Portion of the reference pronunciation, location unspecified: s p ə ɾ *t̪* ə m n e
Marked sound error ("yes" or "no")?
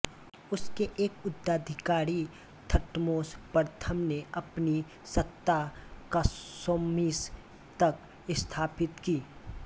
yes